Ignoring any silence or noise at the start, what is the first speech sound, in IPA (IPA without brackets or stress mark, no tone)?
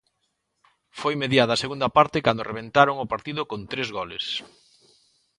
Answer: f